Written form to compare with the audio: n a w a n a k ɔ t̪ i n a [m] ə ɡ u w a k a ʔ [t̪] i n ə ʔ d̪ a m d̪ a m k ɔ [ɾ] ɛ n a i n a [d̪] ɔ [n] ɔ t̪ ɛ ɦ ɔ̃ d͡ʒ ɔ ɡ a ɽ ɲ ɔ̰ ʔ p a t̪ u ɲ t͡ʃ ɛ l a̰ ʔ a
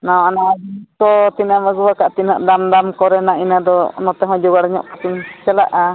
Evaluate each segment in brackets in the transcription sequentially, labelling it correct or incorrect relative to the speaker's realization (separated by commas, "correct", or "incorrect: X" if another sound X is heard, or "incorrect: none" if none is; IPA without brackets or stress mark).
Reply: correct, correct, correct, correct, correct